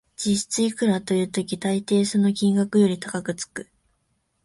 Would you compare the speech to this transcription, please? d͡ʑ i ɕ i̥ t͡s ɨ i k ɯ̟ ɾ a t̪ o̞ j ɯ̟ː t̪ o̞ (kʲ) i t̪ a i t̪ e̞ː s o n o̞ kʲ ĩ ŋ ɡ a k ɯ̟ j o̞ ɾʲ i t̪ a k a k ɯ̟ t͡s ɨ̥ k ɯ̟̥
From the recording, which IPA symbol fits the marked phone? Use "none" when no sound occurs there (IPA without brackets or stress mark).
kʲ